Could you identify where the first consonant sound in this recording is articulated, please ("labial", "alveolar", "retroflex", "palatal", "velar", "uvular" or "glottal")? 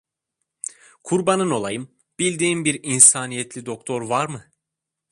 velar